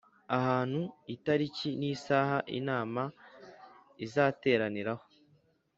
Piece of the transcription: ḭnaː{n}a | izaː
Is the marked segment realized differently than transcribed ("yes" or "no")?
yes